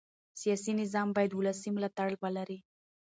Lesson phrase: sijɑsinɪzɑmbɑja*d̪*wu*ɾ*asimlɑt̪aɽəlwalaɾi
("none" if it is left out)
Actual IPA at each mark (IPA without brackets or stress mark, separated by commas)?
d̪, l